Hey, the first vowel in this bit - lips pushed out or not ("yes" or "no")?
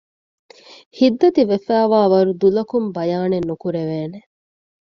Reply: no